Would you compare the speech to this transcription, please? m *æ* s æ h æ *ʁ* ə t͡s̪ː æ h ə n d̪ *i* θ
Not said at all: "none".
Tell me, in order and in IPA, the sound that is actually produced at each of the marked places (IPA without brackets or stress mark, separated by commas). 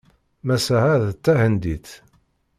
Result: æ, ð, i